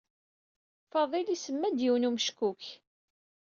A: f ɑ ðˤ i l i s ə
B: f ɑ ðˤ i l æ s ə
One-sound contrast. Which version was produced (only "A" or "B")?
A